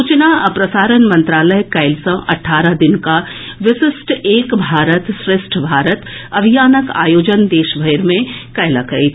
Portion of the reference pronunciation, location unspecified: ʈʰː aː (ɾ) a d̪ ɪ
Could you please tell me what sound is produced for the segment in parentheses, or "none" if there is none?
ɾ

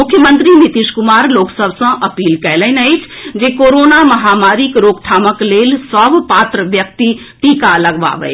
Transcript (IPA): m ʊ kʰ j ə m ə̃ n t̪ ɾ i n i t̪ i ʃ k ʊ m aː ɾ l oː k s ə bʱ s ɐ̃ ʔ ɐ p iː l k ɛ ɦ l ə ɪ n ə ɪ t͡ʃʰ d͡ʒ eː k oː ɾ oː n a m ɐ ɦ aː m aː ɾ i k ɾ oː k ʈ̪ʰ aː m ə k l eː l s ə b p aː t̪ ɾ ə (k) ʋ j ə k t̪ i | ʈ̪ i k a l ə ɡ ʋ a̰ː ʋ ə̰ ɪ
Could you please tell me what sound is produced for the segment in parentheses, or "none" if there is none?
none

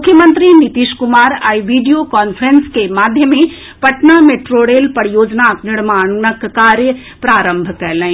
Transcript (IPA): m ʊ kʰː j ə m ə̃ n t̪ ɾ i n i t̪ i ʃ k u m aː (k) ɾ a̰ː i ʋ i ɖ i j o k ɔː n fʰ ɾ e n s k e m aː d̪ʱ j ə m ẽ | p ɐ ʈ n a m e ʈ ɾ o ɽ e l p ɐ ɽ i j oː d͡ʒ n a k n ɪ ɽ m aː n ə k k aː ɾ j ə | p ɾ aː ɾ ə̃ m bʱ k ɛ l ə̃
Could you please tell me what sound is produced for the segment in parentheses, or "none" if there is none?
none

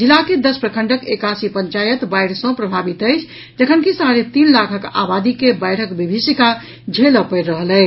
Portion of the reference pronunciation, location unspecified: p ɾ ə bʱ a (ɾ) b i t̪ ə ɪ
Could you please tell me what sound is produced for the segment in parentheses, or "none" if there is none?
none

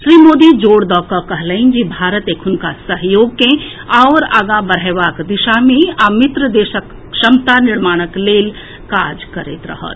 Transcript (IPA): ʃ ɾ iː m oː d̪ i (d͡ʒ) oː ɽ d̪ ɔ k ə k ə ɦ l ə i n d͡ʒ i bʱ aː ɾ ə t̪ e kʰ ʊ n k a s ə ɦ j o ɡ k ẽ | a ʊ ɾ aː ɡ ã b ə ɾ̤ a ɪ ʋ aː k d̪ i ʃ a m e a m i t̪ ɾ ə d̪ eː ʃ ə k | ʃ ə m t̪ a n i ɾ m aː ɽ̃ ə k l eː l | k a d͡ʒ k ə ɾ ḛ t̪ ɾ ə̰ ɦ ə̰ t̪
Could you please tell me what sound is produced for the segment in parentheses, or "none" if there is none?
d͡ʒ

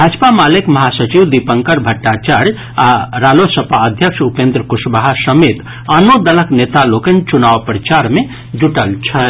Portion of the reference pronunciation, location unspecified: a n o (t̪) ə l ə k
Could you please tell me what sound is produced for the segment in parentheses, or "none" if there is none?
d̪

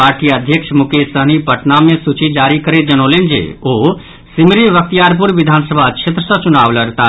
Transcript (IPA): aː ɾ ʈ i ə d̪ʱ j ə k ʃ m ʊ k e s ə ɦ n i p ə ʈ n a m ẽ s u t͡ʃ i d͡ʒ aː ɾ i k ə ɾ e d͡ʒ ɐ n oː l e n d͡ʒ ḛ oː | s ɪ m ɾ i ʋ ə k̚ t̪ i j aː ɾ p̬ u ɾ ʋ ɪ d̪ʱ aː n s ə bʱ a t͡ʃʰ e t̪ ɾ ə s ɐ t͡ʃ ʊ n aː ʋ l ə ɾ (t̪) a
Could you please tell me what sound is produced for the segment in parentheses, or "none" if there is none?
t̪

